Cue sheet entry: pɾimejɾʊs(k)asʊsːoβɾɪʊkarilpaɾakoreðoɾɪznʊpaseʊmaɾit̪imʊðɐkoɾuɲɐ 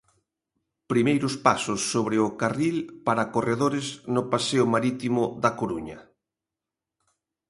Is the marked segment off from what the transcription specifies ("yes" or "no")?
yes